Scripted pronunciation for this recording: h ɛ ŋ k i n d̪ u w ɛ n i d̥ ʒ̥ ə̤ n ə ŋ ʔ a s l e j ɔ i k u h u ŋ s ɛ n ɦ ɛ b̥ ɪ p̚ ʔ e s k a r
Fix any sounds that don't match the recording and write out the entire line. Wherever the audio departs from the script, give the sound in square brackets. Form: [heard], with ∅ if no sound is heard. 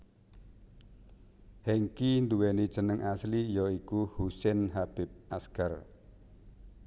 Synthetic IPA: h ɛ ŋ k i n d̪ u w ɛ n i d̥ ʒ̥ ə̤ n ə ŋ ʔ a s l [i] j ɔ i k u h u [∅] s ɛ n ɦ [a] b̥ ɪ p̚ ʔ [a] s k a r